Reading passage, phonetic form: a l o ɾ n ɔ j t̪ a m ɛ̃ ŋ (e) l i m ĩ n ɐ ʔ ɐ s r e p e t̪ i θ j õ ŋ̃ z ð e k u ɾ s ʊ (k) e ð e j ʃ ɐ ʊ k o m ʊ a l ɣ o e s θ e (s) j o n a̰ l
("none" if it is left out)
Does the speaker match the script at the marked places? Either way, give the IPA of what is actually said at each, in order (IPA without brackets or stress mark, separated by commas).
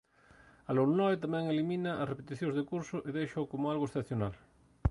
e, ʔ, θ